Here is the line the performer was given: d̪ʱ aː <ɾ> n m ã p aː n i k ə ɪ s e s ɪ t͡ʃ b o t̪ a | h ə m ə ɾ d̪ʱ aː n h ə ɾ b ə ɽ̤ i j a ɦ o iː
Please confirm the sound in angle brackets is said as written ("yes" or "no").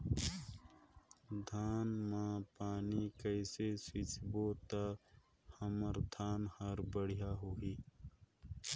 no